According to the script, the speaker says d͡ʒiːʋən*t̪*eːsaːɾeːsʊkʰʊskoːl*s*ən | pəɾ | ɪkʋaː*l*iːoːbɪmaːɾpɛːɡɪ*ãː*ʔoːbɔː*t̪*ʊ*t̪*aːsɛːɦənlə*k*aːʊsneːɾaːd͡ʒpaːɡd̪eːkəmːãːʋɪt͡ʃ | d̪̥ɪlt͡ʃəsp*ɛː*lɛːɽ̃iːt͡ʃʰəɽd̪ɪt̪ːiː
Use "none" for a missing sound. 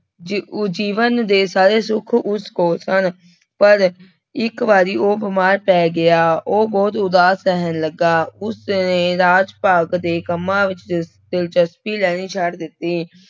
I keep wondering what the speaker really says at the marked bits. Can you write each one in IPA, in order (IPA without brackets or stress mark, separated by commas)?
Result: d̪, s, ɾ, aː, t̪, d̪, ɡ, iː